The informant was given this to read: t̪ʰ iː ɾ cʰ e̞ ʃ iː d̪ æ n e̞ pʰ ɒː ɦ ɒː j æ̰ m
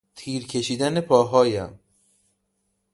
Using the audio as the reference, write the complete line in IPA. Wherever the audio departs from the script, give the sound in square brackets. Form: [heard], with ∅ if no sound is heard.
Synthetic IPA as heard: t̪ʰ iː ɾ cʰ e̞ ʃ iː d̪ æ n e̞ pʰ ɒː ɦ ɒː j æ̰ m